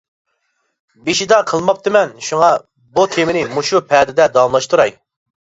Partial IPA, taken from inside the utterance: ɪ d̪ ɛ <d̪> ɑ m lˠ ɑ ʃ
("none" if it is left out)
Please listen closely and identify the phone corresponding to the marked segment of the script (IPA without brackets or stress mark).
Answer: d̪